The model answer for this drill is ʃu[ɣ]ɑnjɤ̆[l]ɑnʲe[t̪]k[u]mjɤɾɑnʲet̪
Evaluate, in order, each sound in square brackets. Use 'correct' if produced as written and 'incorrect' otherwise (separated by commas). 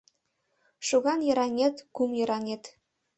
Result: correct, incorrect, correct, correct